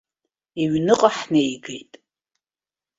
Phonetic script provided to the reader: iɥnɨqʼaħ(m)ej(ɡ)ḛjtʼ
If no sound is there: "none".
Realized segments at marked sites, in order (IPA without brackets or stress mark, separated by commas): n, ɡ